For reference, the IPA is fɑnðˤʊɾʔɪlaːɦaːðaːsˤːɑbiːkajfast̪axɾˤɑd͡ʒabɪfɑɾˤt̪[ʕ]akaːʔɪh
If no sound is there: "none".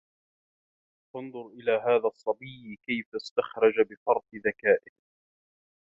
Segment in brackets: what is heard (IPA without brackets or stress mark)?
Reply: ð